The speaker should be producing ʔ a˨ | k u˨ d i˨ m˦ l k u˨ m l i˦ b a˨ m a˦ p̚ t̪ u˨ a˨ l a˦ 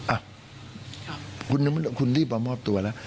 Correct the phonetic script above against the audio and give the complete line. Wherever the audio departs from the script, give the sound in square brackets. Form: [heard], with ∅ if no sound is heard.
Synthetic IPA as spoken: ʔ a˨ | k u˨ [n] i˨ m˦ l k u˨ [n] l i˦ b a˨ m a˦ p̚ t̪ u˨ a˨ l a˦